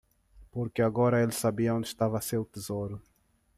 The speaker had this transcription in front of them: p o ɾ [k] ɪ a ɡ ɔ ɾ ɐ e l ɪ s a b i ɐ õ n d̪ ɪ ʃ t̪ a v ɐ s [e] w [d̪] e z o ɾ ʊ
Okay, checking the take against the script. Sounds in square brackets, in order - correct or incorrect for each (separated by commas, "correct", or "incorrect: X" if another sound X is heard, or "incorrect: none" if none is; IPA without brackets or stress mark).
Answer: correct, correct, incorrect: t̪